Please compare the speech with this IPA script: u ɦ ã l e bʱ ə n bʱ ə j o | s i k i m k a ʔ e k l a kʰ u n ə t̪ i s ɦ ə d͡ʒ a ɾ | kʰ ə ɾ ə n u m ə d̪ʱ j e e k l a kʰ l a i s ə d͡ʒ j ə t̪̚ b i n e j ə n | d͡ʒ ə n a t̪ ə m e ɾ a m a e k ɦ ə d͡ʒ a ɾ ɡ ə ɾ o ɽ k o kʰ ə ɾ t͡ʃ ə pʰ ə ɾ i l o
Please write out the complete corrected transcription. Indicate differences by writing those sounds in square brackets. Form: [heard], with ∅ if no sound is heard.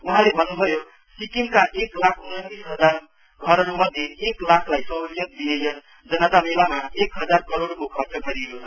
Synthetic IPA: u ɦ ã l e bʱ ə n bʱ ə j o | s i k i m k a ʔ e k l a kʰ u n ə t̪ i s ɦ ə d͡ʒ a ɾ | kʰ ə ɾ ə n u m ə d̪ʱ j e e k l a kʰ l a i s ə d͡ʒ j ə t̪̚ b i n e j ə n | d͡ʒ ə n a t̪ [a] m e [l] a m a e k ɦ ə d͡ʒ a ɾ [k] ə ɾ o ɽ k o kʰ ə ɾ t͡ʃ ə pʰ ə ɾ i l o